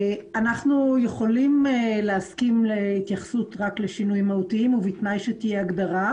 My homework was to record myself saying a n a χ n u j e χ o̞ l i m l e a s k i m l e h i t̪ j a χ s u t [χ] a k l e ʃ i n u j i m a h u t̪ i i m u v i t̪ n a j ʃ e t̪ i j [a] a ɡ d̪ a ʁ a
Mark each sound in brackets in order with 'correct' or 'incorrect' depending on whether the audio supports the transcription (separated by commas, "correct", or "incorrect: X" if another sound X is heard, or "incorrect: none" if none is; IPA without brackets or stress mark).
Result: incorrect: ʁ, incorrect: e